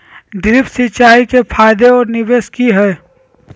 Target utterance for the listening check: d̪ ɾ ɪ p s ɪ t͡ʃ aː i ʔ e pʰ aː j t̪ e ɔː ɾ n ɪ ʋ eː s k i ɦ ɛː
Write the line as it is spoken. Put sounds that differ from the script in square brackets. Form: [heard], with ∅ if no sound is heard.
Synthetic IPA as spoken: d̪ ɾ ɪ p s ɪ t͡ʃ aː i [k] e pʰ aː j [d̪] e ɔː ɾ n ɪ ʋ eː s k i ɦ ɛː

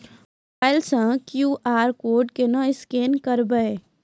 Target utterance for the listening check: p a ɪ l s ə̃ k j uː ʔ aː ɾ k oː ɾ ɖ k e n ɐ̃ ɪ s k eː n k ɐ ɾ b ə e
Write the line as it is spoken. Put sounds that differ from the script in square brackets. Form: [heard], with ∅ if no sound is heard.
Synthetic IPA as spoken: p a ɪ l s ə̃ k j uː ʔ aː ɾ k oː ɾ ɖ k e n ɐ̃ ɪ s k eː n k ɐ ɾ b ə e

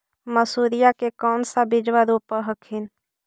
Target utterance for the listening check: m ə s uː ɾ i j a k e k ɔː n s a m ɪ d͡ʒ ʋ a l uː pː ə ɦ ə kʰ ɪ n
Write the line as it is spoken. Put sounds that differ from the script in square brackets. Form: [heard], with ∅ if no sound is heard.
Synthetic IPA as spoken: m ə s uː ɾ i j a k e k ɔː n s a [b] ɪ d͡ʒ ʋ a [ɾ] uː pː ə ɦ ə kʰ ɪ n

